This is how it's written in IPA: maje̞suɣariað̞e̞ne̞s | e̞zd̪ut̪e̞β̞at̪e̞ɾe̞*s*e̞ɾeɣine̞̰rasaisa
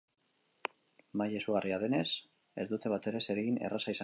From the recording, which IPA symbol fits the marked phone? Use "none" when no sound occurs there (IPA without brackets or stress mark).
s